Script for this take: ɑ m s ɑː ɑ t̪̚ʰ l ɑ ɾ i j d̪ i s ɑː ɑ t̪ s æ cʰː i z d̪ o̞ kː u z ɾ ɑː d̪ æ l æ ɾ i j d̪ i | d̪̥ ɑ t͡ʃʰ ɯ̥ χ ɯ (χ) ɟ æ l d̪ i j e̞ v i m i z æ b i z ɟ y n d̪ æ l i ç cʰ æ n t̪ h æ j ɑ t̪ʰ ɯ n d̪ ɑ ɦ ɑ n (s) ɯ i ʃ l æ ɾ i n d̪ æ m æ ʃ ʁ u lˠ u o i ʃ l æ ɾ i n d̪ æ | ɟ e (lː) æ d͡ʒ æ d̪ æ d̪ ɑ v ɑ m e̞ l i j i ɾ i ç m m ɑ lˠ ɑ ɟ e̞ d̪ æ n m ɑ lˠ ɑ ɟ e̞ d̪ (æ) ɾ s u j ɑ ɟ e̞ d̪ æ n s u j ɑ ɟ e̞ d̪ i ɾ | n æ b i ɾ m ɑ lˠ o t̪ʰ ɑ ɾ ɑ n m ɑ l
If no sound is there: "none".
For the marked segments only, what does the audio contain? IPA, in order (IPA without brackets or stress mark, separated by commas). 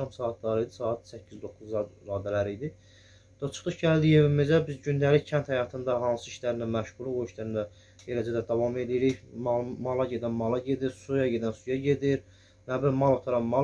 ʃ, s, l, i